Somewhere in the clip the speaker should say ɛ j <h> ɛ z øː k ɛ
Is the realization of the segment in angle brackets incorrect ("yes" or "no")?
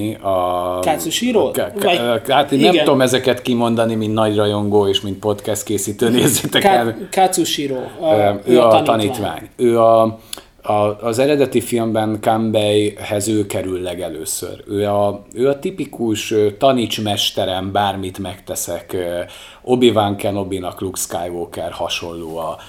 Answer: no